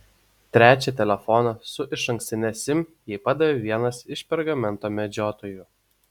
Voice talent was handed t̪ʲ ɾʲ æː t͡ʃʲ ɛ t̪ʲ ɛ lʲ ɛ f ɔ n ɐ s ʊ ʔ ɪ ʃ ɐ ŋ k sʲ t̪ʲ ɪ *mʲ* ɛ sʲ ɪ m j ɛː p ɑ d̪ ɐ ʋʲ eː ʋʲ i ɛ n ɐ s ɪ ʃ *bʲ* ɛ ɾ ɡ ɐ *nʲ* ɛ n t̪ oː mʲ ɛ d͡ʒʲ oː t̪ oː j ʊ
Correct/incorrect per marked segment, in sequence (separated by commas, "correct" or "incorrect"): incorrect, incorrect, incorrect